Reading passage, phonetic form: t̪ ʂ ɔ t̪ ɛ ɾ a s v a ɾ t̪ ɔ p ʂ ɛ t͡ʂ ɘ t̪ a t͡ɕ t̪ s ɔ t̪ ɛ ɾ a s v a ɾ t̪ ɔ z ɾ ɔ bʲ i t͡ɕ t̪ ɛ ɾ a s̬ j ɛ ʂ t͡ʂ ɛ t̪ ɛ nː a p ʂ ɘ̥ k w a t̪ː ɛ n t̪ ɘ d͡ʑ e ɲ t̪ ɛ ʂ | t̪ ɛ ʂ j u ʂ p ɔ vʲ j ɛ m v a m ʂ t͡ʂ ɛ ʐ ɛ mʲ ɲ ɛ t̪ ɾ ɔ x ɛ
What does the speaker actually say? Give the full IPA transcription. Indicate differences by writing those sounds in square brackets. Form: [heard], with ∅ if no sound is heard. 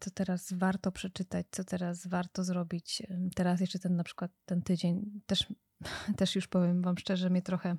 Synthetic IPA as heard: t̪ [s] ɔ t̪ ɛ ɾ a s v a ɾ t̪ ɔ p ʂ ɛ t͡ʂ ɘ t̪ a t͡ɕ t̪ s ɔ t̪ ɛ ɾ a s v a ɾ t̪ ɔ z ɾ ɔ bʲ i t͡ɕ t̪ ɛ ɾ a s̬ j ɛ ʂ t͡ʂ ɛ t̪ ɛ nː a p ʂ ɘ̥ k w a t̪ː ɛ n t̪ ɘ d͡ʑ e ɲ t̪ ɛ ʂ | t̪ ɛ ʂ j u ʂ p ɔ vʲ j ɛ m v a m ʂ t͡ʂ ɛ ʐ ɛ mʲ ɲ ɛ t̪ ɾ ɔ x ɛ